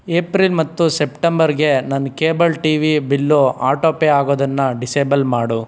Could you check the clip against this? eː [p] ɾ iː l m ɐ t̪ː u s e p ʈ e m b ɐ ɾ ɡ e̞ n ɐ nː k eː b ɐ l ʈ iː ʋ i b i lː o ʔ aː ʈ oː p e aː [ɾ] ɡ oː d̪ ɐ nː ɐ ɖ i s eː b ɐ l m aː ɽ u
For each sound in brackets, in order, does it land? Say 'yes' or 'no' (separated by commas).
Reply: yes, no